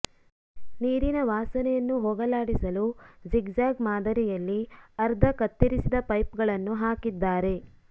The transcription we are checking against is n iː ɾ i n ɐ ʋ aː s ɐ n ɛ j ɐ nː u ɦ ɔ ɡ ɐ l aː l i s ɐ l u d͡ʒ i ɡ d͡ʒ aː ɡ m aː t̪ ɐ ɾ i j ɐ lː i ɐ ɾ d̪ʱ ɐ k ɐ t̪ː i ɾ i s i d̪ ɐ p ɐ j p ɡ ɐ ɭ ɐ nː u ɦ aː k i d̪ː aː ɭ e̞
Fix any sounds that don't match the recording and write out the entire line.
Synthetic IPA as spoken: n iː ɾ i n ɐ ʋ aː s ɐ n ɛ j ɐ nː u ɦ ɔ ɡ ɐ l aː ɽ i s ɐ l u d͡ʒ i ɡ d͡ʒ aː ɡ m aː d̪ ɐ ɾ i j ɐ lː i ɐ ɾ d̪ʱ ɐ k ɐ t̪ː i ɾ i s i d̪ ɐ p ɐ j p ɡ ɐ ɭ ɐ nː u ɦ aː k i d̪ː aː ɾ e̞